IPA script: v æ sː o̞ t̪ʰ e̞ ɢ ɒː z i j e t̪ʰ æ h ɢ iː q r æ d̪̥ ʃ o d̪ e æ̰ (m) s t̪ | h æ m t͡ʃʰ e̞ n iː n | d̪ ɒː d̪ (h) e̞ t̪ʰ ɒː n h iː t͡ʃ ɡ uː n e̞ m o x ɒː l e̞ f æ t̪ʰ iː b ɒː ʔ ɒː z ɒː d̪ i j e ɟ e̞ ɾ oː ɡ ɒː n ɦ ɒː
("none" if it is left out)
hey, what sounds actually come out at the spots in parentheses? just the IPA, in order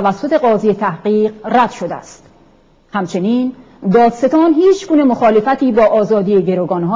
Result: none, s

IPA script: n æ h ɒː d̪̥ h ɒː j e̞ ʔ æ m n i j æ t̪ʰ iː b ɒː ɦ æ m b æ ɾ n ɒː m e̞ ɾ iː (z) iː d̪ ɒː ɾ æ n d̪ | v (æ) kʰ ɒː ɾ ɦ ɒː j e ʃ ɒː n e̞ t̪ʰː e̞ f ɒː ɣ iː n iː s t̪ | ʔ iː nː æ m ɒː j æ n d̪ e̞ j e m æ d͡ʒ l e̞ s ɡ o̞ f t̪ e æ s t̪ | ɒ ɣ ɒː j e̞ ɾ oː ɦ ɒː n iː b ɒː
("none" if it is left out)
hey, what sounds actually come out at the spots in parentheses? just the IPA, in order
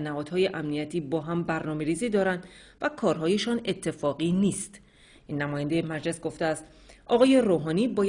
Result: z, æ

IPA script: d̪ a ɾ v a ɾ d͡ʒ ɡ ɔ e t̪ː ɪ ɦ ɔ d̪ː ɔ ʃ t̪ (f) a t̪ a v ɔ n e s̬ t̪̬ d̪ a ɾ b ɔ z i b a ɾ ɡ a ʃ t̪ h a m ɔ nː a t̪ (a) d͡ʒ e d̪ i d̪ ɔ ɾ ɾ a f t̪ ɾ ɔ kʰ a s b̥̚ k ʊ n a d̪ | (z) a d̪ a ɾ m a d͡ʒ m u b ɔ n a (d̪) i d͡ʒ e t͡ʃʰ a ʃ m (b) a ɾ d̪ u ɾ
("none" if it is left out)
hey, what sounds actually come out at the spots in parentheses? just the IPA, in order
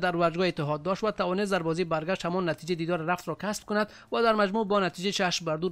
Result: v, i, v, t̪, b

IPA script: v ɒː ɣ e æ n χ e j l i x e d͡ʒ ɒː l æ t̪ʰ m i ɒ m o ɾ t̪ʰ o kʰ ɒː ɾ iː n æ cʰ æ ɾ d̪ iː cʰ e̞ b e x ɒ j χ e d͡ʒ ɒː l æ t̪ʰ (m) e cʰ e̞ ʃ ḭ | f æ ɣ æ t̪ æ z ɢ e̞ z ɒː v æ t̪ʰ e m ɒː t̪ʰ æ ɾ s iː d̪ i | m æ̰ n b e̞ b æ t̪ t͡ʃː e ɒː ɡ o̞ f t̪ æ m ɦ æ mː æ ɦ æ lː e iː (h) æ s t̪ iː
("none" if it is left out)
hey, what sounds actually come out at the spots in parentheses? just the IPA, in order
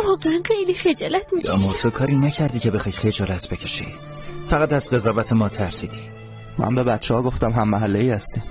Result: b, h

